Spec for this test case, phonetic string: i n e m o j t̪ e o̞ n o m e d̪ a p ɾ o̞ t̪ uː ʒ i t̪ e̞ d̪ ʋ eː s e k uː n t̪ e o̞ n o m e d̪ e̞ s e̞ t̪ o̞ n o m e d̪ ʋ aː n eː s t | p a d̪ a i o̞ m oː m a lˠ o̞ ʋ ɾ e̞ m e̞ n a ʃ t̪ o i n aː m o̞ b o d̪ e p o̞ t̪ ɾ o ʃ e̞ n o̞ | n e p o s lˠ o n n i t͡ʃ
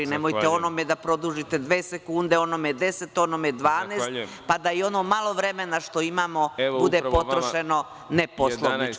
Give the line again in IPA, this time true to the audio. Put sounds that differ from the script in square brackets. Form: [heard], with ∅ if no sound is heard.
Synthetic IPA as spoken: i n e m o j t̪ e o̞ n o m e d̪ a p ɾ o̞ [d̪] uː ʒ i t̪ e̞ d̪ ʋ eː s e k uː n [d̪] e o̞ n o m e d̪ e̞ s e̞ t̪ o̞ n o m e d̪ ʋ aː n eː s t | p a d̪ a i o̞ [n] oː m a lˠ o̞ ʋ ɾ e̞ m e̞ n a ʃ t̪ o i [m] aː m o̞ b [u] d̪ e p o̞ t̪ ɾ o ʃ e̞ n o̞ | n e p o s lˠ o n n i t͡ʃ